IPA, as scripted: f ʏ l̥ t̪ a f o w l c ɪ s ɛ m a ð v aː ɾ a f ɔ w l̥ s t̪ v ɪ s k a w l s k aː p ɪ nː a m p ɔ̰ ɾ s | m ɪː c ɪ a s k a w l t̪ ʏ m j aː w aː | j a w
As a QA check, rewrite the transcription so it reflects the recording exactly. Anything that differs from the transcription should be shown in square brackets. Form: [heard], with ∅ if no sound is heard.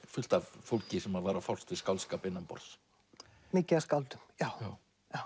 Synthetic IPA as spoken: f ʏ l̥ t̪ a f o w l c ɪ s ɛ m a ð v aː ɾ a f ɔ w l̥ s t̪ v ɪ s k a w l s k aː p ɪ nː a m p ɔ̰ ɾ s | m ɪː c ɪ a s k a w l t̪ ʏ m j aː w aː | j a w